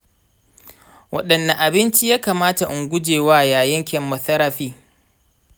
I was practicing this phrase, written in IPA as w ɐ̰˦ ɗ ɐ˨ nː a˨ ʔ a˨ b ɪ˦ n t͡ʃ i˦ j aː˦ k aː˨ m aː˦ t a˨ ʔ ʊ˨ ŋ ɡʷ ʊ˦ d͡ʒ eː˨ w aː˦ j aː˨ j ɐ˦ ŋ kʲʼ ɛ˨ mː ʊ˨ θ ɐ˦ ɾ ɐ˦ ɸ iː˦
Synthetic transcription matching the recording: w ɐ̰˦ ɗ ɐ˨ nː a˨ ʔ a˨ b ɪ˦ n t͡ʃ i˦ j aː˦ k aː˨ m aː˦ t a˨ ʔ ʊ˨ ŋ ɡʷ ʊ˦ d͡ʒ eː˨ w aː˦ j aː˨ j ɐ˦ ŋ kʲ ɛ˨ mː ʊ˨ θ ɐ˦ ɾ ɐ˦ ɸ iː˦